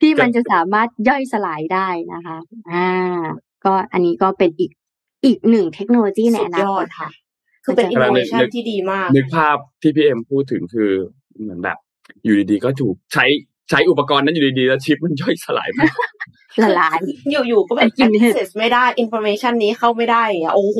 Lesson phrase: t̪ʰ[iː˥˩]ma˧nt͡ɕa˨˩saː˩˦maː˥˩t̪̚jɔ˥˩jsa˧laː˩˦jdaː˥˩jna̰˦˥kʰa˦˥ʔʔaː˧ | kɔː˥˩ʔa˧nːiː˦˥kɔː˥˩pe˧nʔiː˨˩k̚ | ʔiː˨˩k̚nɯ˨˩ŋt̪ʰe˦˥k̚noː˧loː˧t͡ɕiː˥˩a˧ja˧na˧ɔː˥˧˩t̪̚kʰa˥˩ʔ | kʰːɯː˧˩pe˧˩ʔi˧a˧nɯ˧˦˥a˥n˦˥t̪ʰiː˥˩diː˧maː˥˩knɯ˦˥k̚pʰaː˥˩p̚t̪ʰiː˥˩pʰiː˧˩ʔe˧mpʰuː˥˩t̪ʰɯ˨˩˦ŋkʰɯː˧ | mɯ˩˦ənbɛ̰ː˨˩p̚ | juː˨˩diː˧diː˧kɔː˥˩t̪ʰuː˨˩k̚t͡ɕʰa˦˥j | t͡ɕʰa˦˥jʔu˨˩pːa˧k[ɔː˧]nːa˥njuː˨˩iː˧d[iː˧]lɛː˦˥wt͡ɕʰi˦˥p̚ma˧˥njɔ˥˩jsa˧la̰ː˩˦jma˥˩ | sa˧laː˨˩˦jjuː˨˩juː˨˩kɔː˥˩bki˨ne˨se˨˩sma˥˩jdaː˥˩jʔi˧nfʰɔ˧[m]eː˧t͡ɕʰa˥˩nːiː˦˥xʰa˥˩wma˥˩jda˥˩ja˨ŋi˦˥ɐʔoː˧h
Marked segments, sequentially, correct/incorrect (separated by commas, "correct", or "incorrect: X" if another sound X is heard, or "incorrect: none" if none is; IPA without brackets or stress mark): correct, correct, correct, correct